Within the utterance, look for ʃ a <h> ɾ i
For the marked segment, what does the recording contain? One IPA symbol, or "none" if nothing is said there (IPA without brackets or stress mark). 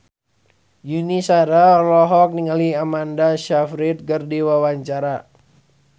f